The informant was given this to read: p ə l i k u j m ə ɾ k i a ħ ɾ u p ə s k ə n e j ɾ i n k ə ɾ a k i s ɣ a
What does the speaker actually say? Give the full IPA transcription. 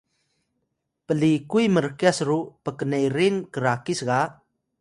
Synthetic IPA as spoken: p ə l i k u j m ə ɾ k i a s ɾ u p ə k ə n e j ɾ i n k ə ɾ a k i s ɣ a